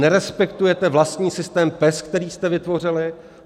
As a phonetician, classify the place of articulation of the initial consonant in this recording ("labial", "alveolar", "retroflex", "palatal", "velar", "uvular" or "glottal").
alveolar